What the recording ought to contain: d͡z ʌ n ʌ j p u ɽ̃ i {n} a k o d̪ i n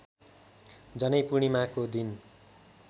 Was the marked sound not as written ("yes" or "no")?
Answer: yes